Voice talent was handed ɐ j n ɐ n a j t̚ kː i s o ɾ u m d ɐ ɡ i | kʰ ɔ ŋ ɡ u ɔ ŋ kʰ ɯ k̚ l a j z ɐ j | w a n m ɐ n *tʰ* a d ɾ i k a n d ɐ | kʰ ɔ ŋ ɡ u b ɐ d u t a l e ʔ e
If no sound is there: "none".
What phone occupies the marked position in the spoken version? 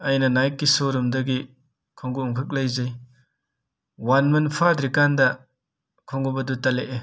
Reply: pʰ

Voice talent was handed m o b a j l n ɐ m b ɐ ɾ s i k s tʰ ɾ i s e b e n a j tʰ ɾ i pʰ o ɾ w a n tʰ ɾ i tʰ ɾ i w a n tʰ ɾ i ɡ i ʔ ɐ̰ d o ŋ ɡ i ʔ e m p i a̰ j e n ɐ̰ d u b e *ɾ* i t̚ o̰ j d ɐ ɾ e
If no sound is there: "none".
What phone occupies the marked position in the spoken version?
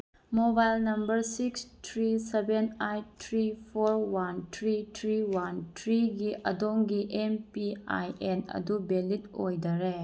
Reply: l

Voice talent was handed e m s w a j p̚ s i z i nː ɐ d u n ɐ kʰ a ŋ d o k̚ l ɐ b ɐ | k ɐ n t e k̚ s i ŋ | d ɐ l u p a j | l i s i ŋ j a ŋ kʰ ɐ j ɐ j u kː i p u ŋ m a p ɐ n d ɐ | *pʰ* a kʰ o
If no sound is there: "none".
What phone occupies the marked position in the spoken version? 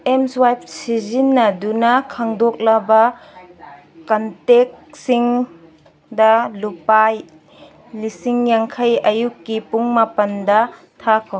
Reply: tʰ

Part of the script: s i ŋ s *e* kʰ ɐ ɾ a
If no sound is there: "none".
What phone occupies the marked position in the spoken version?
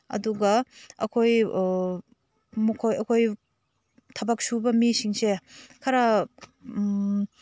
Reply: e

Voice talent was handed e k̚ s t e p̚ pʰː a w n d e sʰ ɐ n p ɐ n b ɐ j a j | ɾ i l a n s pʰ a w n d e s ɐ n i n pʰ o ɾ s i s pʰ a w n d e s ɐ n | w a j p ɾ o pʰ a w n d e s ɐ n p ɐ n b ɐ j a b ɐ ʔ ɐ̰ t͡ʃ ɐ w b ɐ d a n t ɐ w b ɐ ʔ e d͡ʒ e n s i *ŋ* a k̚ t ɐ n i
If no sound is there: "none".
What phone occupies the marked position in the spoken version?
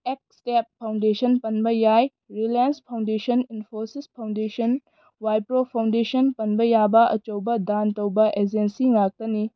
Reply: ŋ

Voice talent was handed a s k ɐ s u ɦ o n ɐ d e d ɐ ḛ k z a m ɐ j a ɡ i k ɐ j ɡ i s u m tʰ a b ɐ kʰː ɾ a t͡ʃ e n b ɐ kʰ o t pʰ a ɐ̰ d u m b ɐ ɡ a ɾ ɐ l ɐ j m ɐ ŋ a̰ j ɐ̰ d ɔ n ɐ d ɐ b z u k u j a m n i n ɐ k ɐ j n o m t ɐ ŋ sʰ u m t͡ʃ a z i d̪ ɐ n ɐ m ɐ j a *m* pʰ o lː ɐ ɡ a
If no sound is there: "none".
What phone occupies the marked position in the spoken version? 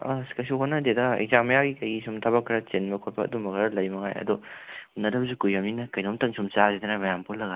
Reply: m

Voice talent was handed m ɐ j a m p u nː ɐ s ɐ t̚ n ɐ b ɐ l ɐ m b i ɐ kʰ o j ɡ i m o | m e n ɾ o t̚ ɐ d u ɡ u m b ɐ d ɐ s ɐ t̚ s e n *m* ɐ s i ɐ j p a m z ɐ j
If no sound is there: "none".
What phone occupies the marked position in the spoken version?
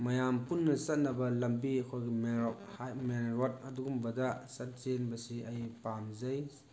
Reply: b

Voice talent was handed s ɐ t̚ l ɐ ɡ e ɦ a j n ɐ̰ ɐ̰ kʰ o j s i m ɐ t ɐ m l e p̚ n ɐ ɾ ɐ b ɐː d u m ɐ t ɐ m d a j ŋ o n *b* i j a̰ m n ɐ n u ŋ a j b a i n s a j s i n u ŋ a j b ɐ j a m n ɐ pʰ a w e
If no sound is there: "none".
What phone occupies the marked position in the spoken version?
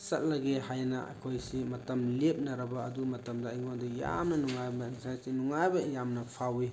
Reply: d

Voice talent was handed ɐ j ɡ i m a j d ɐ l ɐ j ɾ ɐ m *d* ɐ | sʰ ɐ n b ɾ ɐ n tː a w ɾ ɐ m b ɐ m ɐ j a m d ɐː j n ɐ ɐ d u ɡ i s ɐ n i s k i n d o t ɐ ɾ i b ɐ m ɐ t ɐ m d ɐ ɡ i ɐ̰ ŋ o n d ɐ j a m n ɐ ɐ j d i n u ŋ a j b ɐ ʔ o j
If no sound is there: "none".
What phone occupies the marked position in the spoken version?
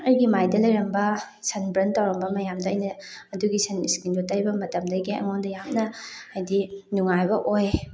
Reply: b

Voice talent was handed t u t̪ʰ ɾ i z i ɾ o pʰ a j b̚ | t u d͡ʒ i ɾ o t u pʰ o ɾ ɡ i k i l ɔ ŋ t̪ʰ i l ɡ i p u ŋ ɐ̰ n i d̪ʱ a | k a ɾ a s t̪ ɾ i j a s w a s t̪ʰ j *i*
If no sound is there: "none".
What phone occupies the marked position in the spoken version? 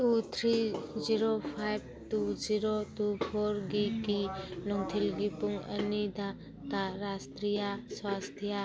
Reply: a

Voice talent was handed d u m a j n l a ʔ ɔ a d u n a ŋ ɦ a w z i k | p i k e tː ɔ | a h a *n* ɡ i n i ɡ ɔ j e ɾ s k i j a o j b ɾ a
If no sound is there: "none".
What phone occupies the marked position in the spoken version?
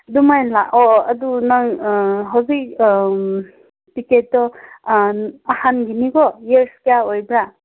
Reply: n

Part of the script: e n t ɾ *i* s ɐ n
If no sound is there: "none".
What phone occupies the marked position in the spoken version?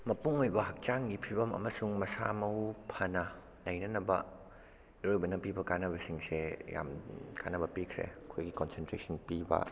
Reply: e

